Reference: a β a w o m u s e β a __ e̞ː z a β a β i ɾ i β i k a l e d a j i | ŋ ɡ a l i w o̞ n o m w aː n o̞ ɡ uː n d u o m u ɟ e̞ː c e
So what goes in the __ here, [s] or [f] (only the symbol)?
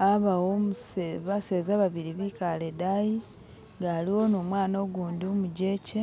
s